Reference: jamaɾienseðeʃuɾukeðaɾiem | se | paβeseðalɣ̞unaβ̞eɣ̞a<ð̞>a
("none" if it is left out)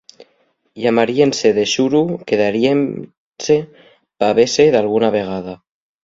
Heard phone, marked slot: ð̞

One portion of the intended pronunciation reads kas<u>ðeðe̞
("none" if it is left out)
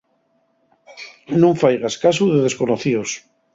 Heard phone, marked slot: u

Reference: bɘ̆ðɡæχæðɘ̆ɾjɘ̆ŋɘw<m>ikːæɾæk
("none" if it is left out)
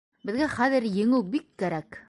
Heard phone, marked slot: b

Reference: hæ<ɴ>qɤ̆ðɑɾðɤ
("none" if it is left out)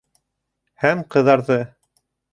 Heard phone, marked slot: m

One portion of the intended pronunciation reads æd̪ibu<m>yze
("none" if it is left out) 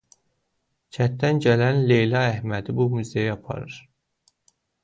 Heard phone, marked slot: m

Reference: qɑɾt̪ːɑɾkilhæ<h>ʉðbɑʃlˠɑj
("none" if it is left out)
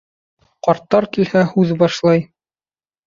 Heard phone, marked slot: h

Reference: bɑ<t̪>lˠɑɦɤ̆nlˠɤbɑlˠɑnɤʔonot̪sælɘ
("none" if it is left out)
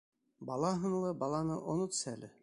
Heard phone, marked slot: none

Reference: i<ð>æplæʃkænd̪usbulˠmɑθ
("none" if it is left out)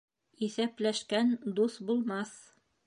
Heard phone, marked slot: θ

